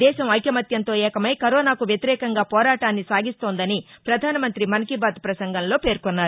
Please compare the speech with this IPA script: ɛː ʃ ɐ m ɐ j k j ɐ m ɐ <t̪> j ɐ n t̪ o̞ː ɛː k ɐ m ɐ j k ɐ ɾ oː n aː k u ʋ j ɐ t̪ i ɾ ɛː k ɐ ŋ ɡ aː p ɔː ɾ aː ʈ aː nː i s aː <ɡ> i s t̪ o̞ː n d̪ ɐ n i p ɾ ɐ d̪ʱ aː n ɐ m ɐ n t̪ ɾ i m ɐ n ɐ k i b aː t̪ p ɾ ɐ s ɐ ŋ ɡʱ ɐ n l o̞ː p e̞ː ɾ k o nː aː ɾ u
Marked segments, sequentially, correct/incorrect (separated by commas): correct, correct